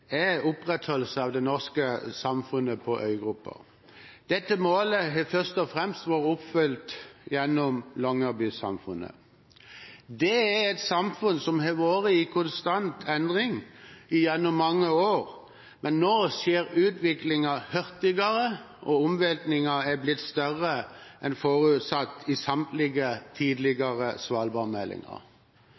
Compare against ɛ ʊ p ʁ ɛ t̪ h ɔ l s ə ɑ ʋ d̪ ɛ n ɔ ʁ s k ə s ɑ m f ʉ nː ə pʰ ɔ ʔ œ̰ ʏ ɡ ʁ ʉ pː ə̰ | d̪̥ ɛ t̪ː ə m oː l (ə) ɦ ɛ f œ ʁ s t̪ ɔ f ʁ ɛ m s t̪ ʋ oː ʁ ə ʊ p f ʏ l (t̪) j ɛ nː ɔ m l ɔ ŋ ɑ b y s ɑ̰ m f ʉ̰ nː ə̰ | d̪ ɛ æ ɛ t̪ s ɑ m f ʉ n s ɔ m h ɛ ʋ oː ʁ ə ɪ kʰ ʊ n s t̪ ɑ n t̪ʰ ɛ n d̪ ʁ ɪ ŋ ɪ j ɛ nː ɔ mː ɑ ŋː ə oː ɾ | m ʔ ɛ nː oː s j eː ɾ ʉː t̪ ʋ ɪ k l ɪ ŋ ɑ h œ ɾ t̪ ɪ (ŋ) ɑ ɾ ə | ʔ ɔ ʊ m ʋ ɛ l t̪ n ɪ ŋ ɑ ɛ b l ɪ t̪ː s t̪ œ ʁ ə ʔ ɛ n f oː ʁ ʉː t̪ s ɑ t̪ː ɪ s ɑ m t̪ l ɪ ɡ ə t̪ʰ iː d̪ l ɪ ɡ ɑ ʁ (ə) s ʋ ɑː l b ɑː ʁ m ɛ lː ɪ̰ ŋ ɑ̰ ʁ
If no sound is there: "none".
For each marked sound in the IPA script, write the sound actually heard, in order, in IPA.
ə, t̪, ɡ, ə

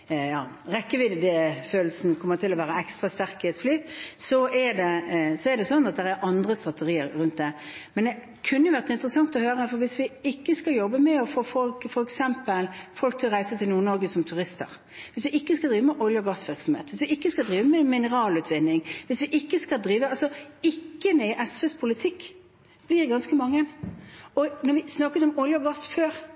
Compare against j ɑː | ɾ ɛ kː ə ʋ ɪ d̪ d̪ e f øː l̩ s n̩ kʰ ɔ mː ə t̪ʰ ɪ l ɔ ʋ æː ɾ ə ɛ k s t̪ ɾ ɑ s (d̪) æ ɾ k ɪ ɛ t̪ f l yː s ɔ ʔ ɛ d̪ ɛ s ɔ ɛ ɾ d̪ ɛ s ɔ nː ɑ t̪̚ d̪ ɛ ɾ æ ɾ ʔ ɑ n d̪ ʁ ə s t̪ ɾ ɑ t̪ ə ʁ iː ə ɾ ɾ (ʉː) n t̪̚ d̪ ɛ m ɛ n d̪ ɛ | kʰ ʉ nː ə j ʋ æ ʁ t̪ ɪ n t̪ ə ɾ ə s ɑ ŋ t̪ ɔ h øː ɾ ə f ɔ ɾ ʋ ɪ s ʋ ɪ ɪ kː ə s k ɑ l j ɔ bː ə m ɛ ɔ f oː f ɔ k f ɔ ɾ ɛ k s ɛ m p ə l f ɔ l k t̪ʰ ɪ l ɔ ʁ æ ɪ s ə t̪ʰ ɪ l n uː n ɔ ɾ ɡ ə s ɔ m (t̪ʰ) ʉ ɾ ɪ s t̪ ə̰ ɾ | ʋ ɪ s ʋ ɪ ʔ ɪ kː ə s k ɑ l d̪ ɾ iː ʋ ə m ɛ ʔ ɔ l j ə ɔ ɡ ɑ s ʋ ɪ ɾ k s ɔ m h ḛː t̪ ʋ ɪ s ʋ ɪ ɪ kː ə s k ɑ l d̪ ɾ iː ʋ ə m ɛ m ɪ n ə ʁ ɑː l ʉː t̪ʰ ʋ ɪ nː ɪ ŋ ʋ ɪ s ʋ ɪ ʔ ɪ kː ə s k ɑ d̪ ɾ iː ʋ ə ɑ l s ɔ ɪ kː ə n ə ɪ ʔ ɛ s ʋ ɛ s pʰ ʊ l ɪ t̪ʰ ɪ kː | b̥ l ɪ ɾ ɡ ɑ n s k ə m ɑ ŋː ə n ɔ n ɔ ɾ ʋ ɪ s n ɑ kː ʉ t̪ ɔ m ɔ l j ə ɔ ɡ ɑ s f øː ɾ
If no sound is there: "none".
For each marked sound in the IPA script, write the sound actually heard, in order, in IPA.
t̪, ʉ, t̪ʰ

